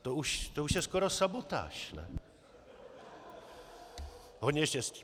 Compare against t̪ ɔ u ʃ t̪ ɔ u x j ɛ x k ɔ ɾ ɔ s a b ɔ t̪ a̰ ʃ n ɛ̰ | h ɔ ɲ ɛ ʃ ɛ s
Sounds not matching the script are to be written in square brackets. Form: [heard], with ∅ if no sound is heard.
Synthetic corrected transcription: t̪ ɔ u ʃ t̪ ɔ u [ʃ] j ɛ [s] k ɔ ɾ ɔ s a b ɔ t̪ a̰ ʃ n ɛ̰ | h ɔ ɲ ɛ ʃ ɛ s